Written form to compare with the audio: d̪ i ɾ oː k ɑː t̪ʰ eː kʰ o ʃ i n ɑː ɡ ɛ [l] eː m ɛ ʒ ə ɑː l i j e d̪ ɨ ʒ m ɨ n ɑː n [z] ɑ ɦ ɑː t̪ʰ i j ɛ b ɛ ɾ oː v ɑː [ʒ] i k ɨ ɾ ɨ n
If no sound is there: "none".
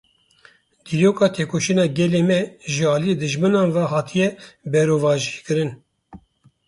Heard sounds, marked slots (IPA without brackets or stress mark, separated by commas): l, v, ʒ